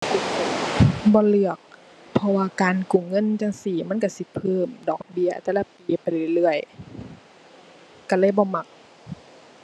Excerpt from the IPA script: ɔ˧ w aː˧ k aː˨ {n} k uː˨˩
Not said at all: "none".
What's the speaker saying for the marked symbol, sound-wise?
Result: n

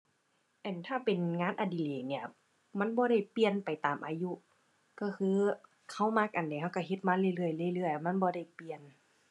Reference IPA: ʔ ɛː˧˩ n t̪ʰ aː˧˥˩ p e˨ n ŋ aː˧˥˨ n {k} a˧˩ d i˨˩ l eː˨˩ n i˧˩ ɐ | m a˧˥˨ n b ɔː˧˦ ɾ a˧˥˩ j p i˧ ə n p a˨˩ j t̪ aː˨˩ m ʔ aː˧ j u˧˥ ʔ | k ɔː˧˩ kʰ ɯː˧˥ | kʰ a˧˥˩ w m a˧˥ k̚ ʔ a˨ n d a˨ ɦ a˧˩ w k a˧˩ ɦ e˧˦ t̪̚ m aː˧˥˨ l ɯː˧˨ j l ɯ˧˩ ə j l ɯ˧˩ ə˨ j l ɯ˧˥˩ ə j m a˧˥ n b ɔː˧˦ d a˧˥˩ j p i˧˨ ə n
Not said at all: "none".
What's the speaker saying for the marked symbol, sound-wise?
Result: ʔ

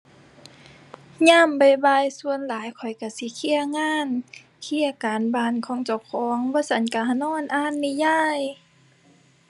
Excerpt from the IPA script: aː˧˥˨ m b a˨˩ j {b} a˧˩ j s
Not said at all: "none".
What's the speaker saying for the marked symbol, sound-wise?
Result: b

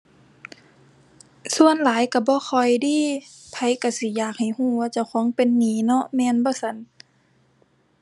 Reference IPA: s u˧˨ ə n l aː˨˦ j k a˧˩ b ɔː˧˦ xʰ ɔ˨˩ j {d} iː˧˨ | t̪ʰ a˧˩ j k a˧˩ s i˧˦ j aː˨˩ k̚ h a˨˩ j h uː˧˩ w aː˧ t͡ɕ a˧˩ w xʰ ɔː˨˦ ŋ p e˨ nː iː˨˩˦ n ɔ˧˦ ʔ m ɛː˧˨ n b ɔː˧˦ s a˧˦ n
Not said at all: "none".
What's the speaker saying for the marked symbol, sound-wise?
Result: d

